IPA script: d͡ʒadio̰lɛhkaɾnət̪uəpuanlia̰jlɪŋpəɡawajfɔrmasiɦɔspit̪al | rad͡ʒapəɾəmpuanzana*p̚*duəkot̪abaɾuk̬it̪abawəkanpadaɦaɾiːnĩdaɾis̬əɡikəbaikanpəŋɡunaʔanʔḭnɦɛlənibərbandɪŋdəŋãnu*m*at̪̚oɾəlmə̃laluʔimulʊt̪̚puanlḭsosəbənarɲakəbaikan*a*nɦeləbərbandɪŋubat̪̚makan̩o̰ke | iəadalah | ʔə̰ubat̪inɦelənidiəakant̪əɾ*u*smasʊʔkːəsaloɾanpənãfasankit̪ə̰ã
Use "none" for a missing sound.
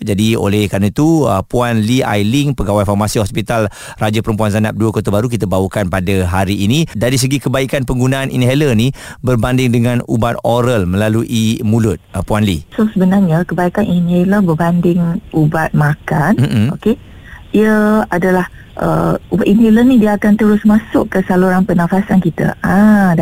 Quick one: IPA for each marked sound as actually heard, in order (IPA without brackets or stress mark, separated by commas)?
p̚, b, i, ʊ